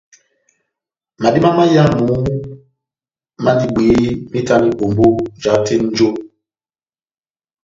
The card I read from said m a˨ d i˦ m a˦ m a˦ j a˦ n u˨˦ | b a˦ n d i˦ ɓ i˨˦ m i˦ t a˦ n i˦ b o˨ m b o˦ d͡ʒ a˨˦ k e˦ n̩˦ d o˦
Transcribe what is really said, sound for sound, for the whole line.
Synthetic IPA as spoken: m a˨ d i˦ m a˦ m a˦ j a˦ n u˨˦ | m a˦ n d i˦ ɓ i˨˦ m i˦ t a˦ n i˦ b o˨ m b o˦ d͡ʒ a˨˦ t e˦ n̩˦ d͡ʒ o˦

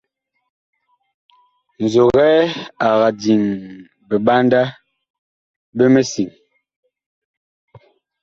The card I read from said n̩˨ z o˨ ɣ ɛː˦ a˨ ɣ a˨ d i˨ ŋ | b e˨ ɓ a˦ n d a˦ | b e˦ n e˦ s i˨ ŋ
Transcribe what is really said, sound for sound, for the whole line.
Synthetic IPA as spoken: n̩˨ z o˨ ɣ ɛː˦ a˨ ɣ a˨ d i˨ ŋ | b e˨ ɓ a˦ n d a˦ | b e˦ m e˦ s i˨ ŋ

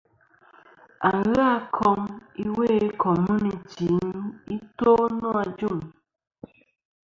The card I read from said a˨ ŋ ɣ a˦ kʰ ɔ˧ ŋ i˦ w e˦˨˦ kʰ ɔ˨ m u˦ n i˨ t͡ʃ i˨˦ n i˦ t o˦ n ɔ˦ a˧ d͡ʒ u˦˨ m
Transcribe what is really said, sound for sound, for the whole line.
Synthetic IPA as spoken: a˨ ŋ ɣ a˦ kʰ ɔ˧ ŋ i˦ w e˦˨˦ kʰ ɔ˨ m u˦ n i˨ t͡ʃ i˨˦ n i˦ t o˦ n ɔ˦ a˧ d͡ʒ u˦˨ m

